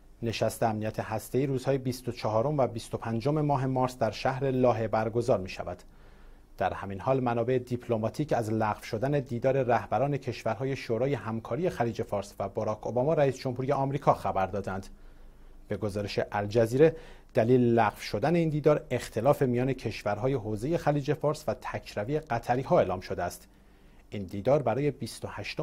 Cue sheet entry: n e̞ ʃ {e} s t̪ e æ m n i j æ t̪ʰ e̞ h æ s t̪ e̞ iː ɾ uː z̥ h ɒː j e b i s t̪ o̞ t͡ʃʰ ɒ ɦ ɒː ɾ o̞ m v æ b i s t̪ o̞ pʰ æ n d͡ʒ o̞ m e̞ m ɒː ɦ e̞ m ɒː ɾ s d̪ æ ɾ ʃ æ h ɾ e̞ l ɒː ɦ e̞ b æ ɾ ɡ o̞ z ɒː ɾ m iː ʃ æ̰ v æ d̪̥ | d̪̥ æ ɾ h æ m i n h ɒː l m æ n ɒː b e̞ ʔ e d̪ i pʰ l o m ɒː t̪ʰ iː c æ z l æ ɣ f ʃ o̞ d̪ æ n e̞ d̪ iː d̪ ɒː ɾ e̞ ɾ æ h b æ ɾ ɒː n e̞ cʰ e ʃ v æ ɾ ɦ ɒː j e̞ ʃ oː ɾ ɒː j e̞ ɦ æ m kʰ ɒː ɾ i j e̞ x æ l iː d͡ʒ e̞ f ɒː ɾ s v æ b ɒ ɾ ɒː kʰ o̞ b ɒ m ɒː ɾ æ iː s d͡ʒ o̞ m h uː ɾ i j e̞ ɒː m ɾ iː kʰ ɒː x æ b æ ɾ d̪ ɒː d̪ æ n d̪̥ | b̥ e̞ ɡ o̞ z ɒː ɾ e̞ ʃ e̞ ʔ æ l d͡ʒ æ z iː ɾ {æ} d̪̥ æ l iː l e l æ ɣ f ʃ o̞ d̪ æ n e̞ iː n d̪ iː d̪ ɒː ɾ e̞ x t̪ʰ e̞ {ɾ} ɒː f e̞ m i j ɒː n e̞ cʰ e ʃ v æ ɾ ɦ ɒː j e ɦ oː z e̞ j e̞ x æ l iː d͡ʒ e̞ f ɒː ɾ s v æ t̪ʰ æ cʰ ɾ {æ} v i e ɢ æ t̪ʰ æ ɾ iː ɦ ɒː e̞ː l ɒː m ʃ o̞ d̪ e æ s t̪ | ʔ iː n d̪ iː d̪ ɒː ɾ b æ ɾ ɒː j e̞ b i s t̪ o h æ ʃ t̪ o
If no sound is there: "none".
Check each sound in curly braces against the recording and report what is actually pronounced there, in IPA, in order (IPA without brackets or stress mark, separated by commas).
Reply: æ, e, l, æ